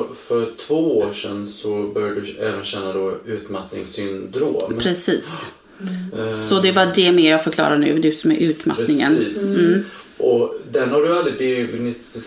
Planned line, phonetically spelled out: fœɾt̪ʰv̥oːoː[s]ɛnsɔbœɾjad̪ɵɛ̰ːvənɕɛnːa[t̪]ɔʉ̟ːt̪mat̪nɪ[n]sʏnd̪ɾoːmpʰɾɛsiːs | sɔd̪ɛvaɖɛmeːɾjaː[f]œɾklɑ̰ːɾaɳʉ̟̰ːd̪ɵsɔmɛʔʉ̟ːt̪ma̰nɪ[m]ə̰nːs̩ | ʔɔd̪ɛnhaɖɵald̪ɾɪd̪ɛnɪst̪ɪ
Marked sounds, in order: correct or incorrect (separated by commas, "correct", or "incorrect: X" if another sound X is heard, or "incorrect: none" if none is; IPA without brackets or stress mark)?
incorrect: ʂ, incorrect: d̪, incorrect: ŋ, correct, incorrect: ŋ